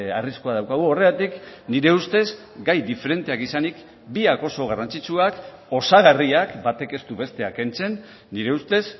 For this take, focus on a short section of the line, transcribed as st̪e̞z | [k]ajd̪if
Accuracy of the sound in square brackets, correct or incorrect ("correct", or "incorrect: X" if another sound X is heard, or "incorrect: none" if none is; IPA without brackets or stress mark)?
incorrect: ɡ